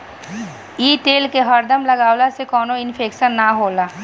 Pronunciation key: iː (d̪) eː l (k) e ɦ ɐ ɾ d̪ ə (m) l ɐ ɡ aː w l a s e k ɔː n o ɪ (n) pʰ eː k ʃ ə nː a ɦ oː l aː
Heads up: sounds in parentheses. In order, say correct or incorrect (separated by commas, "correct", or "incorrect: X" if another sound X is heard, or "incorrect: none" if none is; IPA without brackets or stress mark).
incorrect: t̪, correct, correct, correct